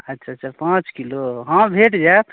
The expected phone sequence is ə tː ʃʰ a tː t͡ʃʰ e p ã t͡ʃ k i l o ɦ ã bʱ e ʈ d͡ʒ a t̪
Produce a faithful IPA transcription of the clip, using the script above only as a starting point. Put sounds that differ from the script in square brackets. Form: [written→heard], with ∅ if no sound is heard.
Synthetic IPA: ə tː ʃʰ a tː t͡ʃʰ [e→a] p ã t͡ʃ k i l o ɦ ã bʱ e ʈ d͡ʒ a t̪